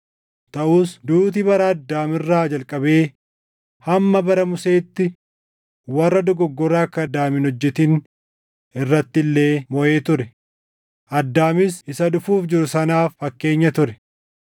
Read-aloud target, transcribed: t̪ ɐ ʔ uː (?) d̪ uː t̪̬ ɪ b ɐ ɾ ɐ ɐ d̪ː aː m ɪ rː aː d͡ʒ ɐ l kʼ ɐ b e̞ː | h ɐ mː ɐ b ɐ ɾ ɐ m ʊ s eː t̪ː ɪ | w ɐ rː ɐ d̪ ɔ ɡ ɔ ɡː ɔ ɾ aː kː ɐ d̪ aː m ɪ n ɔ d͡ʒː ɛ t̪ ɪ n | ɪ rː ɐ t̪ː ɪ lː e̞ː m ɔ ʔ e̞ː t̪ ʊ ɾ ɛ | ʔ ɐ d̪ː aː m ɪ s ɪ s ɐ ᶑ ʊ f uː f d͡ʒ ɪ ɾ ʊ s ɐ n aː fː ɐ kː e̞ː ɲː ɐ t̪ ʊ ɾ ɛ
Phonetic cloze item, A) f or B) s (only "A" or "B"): B